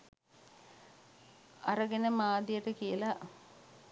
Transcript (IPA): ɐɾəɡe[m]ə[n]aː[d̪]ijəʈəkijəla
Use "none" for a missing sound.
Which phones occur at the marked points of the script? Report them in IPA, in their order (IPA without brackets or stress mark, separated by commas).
n, m, d̪